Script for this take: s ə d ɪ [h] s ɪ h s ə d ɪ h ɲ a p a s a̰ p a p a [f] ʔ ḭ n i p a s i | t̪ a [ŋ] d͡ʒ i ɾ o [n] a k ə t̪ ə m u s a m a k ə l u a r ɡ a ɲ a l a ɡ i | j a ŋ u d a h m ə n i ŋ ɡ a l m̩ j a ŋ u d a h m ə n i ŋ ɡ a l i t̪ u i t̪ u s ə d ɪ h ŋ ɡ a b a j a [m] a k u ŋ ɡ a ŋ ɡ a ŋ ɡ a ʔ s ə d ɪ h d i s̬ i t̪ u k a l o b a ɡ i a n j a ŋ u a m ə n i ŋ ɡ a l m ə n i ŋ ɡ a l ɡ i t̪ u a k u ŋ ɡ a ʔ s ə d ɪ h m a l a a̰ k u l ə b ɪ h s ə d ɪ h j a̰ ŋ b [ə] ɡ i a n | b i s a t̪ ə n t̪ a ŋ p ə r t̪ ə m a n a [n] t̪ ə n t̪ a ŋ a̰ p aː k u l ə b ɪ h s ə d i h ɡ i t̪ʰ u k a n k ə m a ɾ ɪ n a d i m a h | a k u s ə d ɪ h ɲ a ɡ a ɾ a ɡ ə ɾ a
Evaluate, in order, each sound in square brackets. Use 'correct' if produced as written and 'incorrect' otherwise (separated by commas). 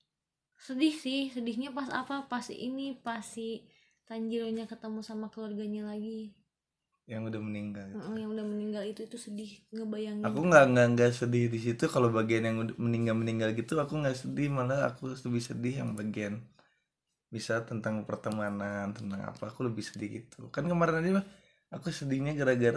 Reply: correct, incorrect, incorrect, incorrect, incorrect, incorrect, correct